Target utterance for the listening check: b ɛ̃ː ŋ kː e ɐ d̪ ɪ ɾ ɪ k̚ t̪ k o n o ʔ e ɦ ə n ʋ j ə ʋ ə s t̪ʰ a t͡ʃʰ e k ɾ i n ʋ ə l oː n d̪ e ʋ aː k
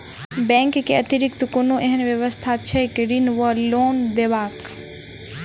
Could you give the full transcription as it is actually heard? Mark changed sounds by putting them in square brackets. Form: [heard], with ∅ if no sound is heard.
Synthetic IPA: b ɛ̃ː ŋ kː e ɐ [t̪] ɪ ɾ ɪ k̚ t̪ k o n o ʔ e ɦ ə n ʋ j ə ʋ ə s t̪ʰ a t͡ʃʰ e k ɾ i n ʋ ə l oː n d̪ e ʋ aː k